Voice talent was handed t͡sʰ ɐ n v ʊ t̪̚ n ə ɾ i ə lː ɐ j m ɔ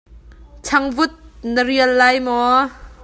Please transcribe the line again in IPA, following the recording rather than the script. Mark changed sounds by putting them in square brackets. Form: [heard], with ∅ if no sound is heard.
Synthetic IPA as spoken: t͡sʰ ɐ [ŋ] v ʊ t̪̚ n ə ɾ i ə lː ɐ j m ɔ